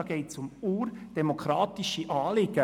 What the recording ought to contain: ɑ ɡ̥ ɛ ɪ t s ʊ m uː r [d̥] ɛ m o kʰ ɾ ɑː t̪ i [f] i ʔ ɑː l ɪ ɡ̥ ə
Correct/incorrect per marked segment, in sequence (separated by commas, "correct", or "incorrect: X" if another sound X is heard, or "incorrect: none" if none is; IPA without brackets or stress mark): correct, incorrect: ʃ